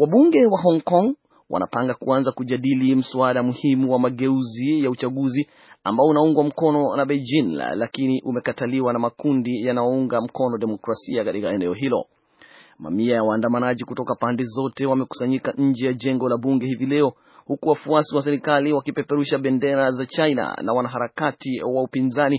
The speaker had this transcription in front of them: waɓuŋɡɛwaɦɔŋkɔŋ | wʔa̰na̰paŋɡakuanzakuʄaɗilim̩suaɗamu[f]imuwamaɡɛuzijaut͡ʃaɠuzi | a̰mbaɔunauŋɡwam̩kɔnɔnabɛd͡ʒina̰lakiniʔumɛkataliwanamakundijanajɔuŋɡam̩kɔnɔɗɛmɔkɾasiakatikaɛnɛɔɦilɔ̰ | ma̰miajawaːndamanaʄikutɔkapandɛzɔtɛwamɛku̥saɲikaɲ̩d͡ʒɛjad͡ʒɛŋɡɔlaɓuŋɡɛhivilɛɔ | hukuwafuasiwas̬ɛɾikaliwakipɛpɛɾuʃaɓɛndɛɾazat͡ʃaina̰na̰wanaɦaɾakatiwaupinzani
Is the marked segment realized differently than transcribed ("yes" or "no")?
yes